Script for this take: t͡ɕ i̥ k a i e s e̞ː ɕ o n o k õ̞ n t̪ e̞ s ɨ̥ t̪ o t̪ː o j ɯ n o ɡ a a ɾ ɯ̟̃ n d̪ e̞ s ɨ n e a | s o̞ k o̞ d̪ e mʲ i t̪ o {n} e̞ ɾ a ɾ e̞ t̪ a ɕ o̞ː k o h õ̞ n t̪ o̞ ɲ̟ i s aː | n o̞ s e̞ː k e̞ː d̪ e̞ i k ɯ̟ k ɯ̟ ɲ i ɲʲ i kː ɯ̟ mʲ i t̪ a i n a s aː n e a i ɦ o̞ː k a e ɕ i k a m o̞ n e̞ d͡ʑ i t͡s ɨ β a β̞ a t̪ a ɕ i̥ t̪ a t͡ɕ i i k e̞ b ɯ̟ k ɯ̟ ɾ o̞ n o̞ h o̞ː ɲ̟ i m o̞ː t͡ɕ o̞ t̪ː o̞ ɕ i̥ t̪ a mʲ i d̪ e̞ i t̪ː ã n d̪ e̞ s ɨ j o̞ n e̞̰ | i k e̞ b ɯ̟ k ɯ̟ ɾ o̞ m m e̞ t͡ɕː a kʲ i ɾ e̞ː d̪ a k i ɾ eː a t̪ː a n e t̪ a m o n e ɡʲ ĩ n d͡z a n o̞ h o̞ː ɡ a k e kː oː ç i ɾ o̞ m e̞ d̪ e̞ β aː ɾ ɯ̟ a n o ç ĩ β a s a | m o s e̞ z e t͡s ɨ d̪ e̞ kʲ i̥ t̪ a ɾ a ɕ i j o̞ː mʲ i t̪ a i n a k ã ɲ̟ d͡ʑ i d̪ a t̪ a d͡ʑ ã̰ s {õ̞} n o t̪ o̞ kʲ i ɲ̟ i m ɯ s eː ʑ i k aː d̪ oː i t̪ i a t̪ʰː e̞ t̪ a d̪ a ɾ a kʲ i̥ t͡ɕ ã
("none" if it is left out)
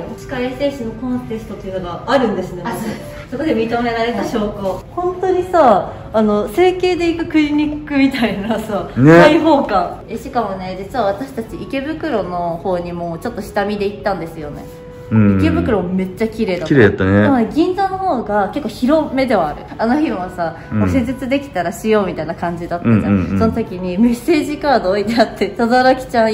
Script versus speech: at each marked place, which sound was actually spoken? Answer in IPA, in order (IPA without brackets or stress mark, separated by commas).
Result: m, o̞